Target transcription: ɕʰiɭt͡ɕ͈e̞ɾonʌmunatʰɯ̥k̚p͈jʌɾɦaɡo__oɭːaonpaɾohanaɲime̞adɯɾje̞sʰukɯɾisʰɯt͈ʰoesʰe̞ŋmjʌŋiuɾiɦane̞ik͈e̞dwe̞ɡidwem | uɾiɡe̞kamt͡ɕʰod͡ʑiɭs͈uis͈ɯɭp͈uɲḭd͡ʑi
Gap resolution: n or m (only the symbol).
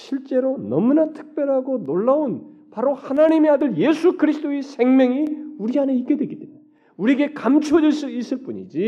n